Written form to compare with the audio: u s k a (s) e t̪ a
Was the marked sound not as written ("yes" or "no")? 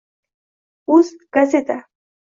no